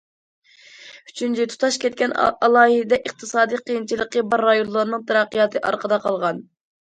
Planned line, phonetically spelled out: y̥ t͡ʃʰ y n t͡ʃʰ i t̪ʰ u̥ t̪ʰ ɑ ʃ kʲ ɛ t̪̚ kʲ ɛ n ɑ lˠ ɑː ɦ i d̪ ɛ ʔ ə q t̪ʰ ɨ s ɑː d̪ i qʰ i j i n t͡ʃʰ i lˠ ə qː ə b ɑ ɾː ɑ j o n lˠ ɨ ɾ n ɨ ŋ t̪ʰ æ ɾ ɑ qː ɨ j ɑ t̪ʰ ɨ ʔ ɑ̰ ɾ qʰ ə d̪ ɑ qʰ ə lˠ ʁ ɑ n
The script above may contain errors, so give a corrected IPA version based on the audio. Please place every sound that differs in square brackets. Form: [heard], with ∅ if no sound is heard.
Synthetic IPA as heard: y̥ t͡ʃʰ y n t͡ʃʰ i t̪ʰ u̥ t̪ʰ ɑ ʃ kʲ ɛ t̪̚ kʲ ɛ n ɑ lˠ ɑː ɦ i d̪ ɛ ʔ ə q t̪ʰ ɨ s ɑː d̪ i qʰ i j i n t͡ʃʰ i lˠ ə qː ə b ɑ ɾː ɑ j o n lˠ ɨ ɾ n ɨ ŋ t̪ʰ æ ɾ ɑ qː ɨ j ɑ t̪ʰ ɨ ʔ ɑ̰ ɾ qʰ ə d̪ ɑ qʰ [ɑ] lˠ ʁ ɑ n